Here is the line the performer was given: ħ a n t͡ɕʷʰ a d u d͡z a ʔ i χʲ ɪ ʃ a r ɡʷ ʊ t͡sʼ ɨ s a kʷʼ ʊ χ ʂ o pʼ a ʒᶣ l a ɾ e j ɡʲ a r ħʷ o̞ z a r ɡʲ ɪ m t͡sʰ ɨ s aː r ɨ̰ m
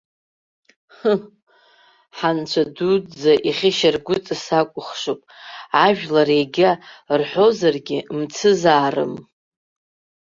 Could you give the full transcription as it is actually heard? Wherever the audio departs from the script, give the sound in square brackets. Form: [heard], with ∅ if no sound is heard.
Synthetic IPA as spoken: ħ a n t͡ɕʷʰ a d u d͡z a ʔ i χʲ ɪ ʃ a r ɡʷ ʊ t͡sʼ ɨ s a kʷʼ ʊ χ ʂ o pʼ a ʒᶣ l a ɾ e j ɡʲ a r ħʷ o̞ z a r ɡʲ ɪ m t͡sʰ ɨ [z] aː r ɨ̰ m